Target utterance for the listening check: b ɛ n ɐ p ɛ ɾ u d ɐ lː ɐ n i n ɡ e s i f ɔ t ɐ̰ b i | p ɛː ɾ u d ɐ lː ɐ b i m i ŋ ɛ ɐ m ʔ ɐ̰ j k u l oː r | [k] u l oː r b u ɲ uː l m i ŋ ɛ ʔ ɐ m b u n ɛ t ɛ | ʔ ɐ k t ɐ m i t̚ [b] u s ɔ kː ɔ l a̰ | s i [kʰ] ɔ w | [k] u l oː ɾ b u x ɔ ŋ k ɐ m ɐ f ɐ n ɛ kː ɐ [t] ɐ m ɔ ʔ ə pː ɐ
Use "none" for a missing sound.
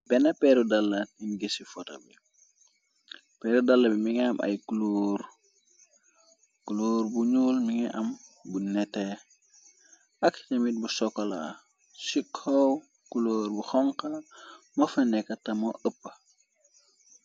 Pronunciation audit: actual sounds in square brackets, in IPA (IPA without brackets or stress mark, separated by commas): k, b, kʰ, k, t